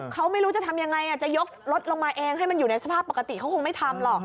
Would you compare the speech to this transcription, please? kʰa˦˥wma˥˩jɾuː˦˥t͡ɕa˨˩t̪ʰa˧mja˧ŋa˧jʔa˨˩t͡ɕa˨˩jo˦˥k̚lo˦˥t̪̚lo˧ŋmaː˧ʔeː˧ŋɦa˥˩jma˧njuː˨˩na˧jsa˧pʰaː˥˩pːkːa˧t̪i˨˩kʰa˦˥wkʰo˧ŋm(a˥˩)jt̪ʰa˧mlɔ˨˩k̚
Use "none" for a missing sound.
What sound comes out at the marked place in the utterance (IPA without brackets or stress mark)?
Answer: a˥˩